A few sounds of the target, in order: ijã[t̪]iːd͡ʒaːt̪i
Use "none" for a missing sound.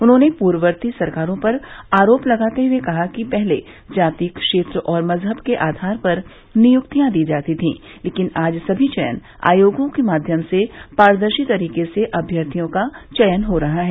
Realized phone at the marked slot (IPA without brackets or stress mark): d̪